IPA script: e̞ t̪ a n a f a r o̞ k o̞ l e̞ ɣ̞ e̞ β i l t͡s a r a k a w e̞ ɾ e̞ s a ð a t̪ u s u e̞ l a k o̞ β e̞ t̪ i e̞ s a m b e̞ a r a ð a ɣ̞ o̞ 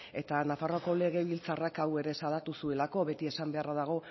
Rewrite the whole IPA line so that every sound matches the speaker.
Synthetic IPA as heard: e̞ t̪ a n a f a r o̞ k o̞ l e̞ ɣ̞ e̞ β i l t͡s a r a k a w e̞ ɾ e̞ s a ð a t̪ u s u e̞ l a k o̞ β e̞ t̪ i e̞ s a m b e̞ a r a ð a ɣ̞ o̞